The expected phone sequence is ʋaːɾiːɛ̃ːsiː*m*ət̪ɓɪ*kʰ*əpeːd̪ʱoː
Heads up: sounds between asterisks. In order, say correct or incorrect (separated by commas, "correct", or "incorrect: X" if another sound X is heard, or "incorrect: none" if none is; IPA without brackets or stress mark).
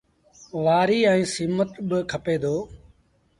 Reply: correct, correct